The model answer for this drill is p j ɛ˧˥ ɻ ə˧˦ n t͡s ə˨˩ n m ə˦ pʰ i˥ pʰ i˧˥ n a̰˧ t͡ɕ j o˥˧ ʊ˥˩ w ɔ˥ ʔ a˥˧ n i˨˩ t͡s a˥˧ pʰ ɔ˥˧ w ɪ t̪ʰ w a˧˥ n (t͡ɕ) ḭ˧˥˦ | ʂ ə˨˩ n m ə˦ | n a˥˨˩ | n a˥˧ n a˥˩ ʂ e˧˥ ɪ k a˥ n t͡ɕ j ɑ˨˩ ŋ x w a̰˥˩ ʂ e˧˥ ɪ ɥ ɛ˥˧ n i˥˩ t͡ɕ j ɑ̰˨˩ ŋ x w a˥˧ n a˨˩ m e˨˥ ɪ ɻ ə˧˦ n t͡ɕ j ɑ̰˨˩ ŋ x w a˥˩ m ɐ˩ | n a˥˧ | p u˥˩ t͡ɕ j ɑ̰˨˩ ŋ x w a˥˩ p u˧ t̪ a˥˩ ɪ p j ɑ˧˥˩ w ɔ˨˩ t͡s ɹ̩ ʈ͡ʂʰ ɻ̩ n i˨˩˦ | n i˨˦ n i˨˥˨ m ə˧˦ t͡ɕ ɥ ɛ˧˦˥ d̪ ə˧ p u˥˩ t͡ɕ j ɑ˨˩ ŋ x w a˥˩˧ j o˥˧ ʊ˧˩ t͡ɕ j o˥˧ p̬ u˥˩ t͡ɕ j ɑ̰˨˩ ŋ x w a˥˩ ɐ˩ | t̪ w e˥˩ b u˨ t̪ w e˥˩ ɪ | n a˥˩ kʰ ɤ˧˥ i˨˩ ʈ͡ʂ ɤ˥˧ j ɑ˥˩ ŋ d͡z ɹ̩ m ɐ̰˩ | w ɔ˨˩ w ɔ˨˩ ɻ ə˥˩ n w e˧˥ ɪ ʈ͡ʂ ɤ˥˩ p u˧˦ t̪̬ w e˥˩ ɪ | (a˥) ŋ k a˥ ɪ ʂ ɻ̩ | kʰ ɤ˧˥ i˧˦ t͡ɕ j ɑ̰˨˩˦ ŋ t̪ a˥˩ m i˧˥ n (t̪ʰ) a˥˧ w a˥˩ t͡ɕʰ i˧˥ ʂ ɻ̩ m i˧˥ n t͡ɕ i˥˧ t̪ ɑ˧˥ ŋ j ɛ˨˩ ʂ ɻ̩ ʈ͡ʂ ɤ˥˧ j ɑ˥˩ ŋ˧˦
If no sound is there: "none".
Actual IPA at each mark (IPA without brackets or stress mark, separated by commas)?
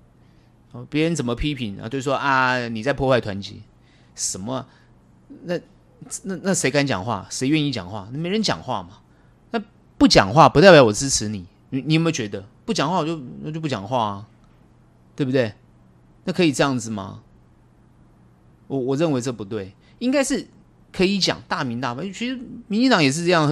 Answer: t͡ɕ, i˥, t̪